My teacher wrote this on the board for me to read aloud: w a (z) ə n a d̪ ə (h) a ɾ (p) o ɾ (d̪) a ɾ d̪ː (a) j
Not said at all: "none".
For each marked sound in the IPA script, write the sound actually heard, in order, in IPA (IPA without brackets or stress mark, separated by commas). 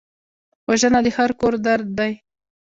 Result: ʒ, h, k, d̪, a